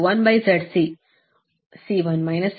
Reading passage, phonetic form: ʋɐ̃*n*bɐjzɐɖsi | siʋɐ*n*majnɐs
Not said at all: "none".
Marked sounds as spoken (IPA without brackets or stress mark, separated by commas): n, n